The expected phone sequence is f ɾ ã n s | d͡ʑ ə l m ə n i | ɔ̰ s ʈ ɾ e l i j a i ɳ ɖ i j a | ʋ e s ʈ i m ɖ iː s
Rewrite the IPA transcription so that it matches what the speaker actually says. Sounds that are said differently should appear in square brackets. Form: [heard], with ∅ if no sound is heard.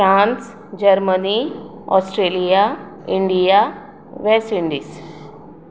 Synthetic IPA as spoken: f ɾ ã n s | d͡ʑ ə [ɾ] m ə n i | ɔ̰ s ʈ ɾ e l i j a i ɳ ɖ i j a | ʋ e s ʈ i [ɳ] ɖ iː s